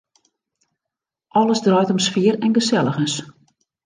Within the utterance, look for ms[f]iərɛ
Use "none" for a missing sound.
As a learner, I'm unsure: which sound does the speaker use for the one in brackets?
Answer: f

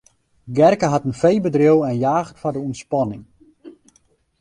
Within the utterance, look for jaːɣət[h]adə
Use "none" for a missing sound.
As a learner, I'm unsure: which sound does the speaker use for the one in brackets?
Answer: f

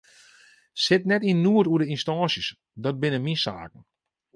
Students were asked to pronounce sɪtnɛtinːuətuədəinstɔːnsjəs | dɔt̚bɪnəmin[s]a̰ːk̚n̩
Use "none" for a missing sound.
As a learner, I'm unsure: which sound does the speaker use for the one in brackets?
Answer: s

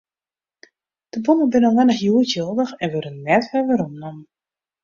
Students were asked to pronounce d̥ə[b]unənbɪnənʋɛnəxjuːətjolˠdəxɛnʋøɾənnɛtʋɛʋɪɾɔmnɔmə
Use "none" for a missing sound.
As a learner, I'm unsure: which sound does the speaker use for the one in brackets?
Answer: b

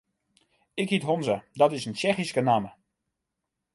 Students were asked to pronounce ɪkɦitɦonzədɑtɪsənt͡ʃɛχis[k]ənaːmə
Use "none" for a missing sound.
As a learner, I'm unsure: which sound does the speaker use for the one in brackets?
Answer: k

